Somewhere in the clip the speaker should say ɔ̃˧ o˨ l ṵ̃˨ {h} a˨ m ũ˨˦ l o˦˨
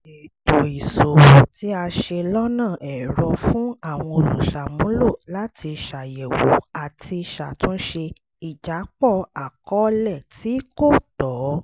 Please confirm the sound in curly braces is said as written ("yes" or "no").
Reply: no